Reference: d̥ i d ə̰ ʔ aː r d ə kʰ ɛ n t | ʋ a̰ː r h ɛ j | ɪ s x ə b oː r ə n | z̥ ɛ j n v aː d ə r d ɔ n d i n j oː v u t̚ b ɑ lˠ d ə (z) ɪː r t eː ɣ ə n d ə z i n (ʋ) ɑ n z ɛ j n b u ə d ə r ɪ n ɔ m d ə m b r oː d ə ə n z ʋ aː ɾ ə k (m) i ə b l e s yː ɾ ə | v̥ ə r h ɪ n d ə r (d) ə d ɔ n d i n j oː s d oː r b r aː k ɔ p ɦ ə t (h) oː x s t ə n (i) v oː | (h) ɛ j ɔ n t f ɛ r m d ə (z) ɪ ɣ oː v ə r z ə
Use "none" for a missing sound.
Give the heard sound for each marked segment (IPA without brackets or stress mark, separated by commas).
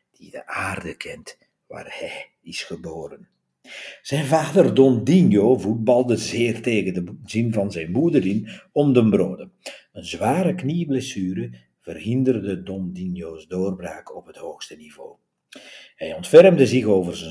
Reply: z, v, n, d, h, i, h, z